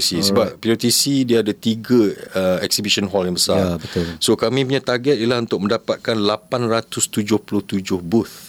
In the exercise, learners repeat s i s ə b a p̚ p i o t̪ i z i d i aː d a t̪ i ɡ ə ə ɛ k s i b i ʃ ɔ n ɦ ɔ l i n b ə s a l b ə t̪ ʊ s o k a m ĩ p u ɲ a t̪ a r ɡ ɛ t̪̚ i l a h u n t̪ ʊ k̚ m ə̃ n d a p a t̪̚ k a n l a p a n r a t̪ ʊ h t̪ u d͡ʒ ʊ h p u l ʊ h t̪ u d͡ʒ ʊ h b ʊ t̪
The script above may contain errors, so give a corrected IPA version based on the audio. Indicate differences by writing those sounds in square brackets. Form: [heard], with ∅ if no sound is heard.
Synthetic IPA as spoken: s i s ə b a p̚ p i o t̪ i [s] i d i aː d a t̪ i ɡ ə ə ɛ k s i b i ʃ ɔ n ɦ ɔ l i n b ə s a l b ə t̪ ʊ s o k a m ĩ p u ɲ a t̪ a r ɡ ɛ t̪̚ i l a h u n t̪ ʊ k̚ m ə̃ n d a p a t̪̚ k a n l a p a n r a t̪ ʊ [s] t̪ u d͡ʒ ʊ h p u l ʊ h t̪ u d͡ʒ ʊ h b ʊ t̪